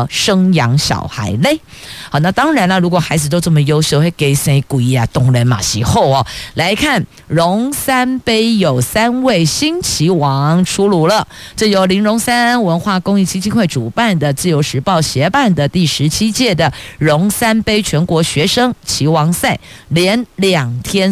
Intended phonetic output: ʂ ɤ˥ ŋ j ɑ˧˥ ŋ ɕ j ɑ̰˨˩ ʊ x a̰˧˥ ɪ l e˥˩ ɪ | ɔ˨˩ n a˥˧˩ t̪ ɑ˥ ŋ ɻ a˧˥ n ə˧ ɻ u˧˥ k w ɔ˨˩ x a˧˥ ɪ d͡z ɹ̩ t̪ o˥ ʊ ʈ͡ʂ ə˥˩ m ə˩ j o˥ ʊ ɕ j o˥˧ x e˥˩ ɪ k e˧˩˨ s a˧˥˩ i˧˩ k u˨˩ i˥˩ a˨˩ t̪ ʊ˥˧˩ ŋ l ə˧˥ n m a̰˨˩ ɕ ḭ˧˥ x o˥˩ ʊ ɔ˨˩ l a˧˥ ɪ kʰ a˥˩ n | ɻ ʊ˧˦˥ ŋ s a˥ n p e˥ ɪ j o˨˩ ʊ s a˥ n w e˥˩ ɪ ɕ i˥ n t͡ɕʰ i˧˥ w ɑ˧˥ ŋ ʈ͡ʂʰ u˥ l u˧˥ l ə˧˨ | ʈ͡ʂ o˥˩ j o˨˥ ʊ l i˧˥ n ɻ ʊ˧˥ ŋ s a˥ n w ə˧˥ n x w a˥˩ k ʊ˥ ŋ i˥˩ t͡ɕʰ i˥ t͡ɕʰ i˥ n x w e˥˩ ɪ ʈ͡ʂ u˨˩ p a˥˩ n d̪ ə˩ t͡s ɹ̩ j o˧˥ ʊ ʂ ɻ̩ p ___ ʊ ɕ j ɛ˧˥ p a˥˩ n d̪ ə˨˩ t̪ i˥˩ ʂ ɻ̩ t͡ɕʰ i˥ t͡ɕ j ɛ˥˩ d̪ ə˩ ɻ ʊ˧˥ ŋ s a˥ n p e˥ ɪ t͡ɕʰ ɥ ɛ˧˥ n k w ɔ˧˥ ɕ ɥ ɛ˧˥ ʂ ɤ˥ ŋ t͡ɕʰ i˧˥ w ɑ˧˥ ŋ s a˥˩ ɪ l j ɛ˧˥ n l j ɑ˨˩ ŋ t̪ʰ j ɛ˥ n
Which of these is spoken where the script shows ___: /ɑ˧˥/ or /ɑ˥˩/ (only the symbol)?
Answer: ɑ˥˩